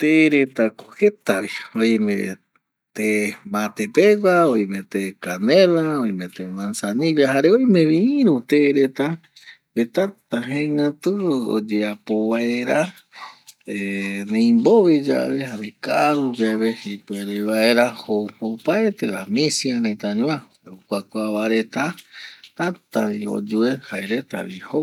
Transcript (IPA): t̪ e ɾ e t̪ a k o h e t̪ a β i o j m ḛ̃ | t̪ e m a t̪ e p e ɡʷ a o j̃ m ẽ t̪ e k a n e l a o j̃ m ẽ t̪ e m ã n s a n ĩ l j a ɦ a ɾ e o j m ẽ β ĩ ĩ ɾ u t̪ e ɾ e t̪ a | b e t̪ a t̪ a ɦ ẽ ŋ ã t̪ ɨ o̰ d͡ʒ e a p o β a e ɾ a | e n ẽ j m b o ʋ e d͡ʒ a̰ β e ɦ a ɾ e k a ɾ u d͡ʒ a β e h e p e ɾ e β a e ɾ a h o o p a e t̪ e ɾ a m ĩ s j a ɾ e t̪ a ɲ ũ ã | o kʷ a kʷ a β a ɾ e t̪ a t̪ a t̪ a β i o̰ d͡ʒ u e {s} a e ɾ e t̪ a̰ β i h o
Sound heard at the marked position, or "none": h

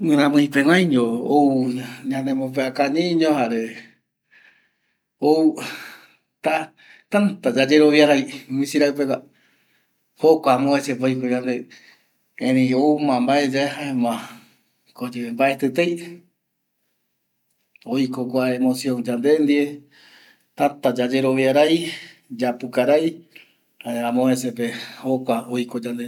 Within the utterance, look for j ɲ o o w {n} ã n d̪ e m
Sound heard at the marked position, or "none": ɲ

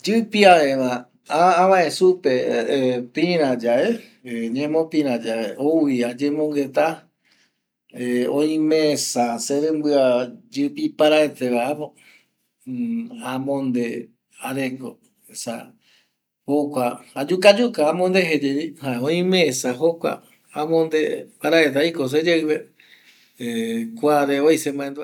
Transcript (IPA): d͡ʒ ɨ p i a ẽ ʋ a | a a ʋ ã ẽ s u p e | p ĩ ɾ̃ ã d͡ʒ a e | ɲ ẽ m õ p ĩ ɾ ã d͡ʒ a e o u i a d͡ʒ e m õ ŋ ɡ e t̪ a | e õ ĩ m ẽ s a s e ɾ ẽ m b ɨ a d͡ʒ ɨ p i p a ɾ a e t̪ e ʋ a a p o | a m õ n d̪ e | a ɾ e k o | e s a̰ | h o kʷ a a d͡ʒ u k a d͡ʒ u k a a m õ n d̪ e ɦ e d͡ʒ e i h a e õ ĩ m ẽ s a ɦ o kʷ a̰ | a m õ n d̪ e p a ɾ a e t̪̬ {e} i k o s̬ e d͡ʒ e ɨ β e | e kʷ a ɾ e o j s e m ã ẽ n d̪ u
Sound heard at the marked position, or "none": a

